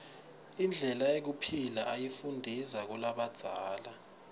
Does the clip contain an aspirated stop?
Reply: yes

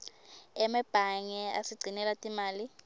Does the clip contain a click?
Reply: yes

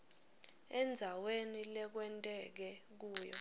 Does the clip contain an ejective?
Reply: yes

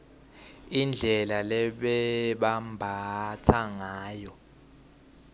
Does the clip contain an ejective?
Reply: no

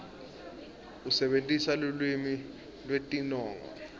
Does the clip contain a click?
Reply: no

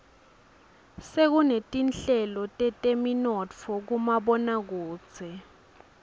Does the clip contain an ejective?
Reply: yes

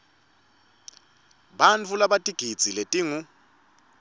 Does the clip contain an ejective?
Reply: yes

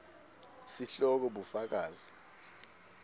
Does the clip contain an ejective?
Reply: no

